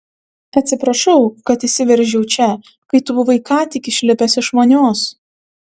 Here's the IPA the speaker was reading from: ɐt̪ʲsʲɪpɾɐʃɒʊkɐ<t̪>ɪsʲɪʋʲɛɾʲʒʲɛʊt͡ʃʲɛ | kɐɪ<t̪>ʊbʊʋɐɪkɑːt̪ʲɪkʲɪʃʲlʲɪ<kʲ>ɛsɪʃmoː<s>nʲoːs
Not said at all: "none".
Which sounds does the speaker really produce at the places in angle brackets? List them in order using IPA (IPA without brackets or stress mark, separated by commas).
t̪, t̪, pʲ, none